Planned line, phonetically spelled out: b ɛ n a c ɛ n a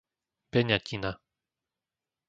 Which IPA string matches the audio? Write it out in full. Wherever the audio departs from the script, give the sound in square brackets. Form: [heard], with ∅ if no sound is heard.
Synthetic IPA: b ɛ [ɲ] a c [i] n a